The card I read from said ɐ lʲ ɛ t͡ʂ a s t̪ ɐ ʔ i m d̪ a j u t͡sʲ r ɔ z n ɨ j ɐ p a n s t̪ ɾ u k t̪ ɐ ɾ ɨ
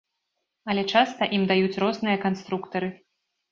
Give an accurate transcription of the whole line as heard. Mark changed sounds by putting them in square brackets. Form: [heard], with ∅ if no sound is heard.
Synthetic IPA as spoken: ɐ lʲ ɛ t͡ʂ a s t̪ ɐ ʔ i m d̪ a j u t͡sʲ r ɔ z n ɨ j ɐ [k] a n s t̪ ɾ u k t̪ ɐ ɾ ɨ